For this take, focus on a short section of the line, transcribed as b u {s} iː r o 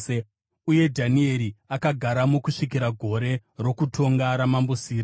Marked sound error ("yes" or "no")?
no